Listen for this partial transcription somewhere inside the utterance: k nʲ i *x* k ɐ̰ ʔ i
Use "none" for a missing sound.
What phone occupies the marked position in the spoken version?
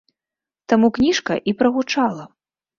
ʂ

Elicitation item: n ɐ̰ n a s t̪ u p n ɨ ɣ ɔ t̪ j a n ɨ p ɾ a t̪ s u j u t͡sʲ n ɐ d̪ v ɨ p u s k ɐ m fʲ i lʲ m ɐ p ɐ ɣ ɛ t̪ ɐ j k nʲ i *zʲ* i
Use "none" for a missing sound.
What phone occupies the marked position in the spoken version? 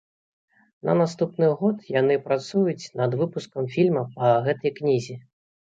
zʲ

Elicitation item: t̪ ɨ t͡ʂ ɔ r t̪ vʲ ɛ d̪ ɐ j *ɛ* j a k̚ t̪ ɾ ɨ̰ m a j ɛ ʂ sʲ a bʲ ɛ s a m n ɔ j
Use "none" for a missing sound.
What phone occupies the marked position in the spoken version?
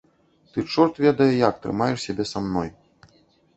ɛ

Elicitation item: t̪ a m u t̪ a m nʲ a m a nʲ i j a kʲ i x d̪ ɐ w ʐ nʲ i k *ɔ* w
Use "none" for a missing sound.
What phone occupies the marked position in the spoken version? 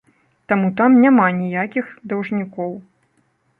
ɔ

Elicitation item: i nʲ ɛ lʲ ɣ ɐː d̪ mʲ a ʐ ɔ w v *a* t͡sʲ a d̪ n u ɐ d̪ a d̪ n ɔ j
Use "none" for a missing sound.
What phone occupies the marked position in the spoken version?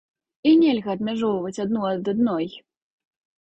ɐ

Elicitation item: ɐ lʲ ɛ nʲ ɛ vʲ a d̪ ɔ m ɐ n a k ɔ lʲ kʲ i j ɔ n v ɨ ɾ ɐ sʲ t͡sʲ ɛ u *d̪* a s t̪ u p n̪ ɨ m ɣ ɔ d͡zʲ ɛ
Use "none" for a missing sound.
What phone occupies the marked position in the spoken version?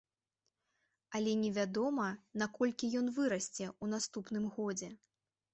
n̪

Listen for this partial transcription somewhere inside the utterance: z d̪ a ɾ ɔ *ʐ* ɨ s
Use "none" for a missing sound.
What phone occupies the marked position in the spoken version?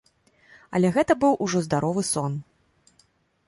v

